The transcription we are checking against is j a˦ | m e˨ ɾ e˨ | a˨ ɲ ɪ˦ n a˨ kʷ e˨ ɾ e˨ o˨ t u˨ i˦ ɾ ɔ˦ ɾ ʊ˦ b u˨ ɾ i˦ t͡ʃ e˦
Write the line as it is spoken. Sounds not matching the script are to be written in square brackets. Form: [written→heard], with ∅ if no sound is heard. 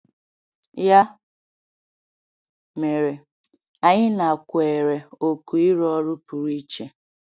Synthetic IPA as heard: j a˦ | m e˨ ɾ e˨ | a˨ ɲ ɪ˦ n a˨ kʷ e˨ ɾ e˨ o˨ [t→k] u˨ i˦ ɾ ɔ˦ ɾ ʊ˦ [b→p] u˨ ɾ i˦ t͡ʃ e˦